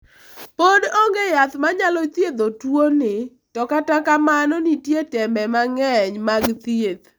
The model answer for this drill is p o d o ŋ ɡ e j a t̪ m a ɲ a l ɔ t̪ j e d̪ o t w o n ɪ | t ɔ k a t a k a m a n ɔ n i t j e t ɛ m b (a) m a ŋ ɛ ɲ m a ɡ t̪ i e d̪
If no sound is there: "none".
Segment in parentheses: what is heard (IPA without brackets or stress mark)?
ɛ